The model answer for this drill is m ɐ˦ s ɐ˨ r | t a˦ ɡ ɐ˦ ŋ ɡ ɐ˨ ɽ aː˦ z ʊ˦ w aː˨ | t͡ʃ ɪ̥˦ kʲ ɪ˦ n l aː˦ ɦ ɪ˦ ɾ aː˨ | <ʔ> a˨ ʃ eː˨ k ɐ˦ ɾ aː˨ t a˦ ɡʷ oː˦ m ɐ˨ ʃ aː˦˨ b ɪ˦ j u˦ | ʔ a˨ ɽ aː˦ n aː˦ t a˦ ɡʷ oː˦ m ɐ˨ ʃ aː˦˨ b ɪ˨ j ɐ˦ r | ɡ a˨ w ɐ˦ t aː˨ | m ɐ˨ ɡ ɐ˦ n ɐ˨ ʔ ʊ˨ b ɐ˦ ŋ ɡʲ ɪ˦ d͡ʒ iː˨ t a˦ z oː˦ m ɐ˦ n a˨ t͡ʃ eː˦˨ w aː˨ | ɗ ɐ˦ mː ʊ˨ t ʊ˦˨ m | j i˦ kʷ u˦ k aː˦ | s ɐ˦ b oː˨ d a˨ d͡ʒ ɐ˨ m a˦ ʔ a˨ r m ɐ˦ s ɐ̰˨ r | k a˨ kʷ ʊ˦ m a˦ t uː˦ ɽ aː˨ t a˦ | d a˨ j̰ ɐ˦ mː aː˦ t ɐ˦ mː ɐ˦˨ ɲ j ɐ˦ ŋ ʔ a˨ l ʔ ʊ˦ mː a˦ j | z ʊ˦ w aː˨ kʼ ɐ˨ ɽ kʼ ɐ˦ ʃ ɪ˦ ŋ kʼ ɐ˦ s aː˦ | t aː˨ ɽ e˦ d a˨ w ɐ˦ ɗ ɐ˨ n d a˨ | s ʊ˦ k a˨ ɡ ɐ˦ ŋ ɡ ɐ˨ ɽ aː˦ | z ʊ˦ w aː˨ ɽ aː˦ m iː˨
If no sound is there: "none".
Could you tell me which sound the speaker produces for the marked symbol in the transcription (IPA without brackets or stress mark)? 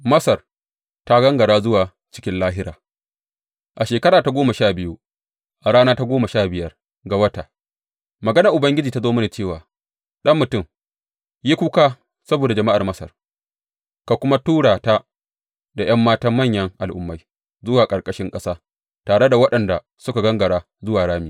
ʔ